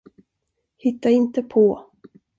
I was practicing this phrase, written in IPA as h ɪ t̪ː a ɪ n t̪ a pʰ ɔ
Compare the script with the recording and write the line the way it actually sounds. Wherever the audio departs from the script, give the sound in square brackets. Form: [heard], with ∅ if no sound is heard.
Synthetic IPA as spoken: h ɪ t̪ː a ɪ n t̪ [ə] pʰ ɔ